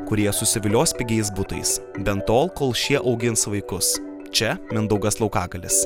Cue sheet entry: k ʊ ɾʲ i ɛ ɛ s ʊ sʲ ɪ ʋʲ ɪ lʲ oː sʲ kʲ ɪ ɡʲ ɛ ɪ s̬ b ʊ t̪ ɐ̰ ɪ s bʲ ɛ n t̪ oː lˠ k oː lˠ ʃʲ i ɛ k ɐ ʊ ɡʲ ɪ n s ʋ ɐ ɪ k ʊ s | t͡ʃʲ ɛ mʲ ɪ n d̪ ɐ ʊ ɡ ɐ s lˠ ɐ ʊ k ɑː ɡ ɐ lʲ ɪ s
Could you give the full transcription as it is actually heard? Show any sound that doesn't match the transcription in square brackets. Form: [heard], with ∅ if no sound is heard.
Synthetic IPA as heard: k ʊ ɾʲ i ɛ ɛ s ʊ sʲ ɪ ʋʲ ɪ lʲ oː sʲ [pʲ] ɪ ɡʲ ɛ ɪ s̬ b ʊ t̪ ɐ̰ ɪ s bʲ ɛ n t̪ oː lˠ k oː lˠ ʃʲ i ɛ [ʔ] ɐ ʊ ɡʲ ɪ n s ʋ ɐ ɪ k ʊ s | t͡ʃʲ ɛ mʲ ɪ n d̪ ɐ ʊ ɡ ɐ s lˠ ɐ ʊ k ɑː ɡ ɐ lʲ ɪ s